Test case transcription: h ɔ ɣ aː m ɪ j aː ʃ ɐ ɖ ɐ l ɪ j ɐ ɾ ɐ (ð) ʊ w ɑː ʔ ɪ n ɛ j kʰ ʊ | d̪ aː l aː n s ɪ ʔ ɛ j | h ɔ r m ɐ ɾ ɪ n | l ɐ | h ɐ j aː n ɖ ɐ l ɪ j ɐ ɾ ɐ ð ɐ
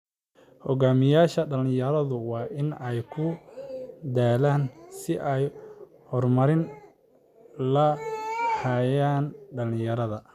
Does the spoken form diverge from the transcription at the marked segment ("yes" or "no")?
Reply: no